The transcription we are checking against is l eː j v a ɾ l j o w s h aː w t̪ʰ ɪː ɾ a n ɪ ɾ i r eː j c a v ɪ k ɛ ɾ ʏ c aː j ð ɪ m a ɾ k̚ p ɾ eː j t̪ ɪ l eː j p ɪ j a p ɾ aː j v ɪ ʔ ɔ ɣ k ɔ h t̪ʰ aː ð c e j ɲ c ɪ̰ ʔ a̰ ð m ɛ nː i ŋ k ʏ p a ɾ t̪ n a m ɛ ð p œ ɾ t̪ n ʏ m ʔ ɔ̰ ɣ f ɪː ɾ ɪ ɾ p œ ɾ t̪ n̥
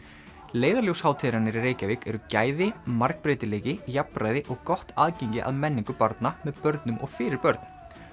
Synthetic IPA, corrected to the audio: l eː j ð a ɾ l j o w s h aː w t̪ʰ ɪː ɾ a n ɪ ɾ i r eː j c a v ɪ k ɛ ɾ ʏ c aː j ð ɪ m a ɾ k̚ p ɾ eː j t̪ ɪ l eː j c ɪ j a p ɾ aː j ð ɪ ʔ ɔ ɣ k ɔ h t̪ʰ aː ð c e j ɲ c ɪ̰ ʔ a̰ ð m ɛ nː i ŋ k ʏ p a ɾ t̪ n a m ɛ ð p œ ɾ t̪ n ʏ m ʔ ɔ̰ ɣ f ɪː ɾ ɪ ɾ p œ ɾ t̪ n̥